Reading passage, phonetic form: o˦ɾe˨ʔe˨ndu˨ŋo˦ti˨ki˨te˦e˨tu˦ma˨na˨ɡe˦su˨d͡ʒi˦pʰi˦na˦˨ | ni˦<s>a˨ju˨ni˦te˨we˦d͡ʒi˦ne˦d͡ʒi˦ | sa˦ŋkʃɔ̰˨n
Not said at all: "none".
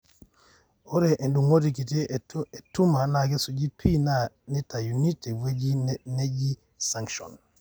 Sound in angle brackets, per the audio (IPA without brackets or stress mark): t